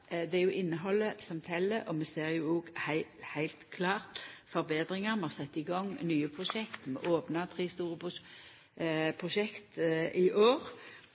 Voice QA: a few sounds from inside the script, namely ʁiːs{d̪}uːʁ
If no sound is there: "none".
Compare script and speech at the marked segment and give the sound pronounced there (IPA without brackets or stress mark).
t̪